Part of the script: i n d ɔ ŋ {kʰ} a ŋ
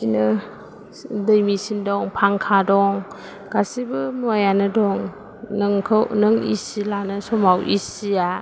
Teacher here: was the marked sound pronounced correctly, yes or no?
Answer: no